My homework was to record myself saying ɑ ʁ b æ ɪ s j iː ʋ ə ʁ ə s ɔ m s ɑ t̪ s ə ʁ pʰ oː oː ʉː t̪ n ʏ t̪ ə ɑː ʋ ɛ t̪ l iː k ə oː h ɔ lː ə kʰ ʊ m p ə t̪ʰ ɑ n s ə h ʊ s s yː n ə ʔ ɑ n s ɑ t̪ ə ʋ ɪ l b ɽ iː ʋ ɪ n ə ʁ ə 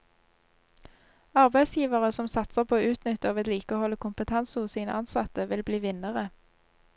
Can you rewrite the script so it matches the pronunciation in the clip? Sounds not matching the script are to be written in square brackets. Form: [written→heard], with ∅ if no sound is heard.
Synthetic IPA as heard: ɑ ʁ b æ ɪ s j iː ʋ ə ʁ ə s ɔ m s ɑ t̪ s ə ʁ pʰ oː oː ʉː t̪ n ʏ t̪ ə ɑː ʋ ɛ t̪ l iː k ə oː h ɔ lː ə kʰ ʊ m p ə t̪ʰ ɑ n s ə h ʊ s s [yː→iː] n ə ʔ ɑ n s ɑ t̪ ə ʋ ɪ l b [ɽ→l] iː ʋ ɪ n ə ʁ ə